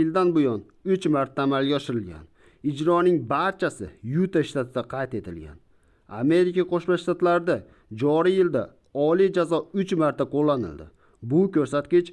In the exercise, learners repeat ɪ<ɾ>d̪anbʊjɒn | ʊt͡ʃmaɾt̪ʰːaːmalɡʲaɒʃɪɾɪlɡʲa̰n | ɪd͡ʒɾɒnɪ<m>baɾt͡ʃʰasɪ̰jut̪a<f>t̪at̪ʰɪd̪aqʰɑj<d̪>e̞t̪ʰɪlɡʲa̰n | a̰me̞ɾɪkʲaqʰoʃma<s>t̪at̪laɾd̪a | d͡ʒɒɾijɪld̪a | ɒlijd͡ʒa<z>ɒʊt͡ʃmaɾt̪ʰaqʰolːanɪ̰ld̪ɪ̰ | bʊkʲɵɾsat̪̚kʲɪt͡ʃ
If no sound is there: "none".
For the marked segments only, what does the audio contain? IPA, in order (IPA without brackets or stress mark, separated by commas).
l, ŋ, ʃ, t̪, ʃ, z